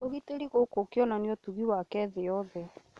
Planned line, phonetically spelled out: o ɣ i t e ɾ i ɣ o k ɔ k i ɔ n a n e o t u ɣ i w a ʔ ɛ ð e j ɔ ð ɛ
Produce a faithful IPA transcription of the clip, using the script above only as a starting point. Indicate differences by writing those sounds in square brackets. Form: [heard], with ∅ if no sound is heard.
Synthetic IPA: o ɣ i t e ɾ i ɣ o k [o] k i ɔ n a n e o t u ɣ i w a [k] ɛ ð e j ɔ ð ɛ